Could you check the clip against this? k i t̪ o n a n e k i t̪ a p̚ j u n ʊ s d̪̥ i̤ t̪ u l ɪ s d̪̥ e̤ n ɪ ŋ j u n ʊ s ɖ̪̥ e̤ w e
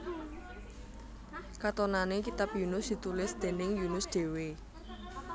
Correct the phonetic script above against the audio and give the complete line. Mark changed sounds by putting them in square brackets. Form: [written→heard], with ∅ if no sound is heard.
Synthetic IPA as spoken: k [i→a] t̪ o n a n e k i t̪ a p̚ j u n ʊ s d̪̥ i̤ t̪ u l ɪ s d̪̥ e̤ n ɪ ŋ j u n ʊ s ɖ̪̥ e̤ w e